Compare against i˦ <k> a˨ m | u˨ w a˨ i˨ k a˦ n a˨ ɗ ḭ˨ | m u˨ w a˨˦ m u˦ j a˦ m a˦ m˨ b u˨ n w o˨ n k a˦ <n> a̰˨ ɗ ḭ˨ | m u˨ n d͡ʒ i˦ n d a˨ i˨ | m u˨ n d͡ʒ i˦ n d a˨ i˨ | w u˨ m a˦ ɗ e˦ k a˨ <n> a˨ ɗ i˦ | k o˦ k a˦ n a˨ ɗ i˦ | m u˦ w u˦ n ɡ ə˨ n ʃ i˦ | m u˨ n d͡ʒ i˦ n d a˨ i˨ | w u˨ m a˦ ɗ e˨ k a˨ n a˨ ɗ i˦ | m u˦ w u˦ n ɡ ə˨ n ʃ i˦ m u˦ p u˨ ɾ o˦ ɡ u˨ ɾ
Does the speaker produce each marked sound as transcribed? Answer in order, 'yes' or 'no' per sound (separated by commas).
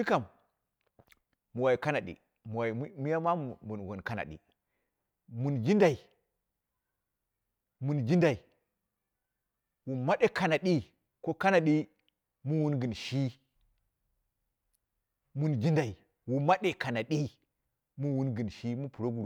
yes, yes, yes